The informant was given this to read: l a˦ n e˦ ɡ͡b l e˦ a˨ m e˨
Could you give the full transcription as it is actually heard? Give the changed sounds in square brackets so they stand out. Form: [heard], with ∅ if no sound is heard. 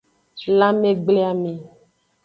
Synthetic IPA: l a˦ [m] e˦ ɡ͡b l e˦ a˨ m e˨